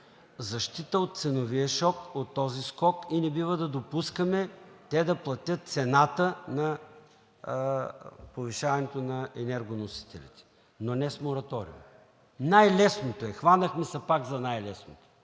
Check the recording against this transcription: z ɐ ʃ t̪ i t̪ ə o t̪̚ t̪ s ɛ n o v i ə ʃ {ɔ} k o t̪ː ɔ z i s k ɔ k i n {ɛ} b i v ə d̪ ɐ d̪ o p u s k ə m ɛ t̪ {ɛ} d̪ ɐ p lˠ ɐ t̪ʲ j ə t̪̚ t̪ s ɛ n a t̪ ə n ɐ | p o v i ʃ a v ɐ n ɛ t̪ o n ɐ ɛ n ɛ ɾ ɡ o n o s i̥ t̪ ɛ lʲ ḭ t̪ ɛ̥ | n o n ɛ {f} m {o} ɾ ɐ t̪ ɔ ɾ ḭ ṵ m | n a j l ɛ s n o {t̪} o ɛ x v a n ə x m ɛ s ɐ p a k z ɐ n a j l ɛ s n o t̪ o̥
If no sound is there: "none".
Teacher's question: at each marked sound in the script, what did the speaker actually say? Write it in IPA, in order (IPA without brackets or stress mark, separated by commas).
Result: ɔ, ɛ, ɛ, s, o, t̪